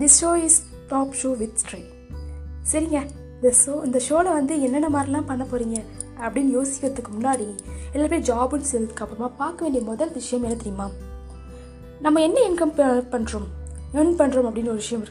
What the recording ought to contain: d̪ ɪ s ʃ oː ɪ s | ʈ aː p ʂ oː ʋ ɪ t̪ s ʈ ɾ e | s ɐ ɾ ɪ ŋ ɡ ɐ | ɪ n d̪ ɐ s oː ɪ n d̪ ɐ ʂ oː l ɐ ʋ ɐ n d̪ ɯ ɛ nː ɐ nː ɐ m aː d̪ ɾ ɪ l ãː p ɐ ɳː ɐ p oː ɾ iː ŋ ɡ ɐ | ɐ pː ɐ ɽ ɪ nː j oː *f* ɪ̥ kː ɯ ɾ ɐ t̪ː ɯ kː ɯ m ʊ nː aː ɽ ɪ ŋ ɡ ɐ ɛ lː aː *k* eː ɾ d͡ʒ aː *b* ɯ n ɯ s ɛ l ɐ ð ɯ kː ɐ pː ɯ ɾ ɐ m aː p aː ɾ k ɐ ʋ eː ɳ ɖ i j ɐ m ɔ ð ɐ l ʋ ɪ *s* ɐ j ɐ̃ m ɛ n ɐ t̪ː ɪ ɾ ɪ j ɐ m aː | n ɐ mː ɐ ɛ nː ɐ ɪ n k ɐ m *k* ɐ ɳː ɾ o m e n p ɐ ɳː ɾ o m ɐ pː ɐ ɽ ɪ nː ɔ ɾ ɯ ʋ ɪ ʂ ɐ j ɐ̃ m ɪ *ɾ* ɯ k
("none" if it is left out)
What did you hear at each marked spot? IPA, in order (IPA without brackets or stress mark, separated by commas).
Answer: s, p, b, ʂ, p, ɾ